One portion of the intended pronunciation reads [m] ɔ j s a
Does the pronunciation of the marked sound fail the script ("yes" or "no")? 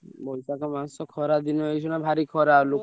yes